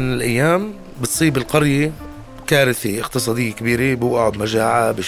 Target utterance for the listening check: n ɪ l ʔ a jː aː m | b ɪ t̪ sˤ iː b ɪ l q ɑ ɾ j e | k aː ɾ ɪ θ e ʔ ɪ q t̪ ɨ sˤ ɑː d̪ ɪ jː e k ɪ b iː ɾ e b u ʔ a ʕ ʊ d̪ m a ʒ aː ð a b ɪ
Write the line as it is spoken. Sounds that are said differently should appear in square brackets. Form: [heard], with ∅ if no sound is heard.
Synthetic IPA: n ɪ l ʔ a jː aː m | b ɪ t̪ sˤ iː b ɪ l q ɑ ɾ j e | k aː ɾ ɪ θ e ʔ ɪ q t̪ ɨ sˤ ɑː d̪ ɪ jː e k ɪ b iː ɾ e b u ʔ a ʕ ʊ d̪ m a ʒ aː [ʕ] a b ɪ